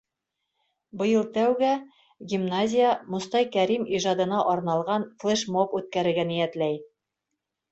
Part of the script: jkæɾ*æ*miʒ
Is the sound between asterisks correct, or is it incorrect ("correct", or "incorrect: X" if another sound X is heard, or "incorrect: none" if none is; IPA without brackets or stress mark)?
incorrect: i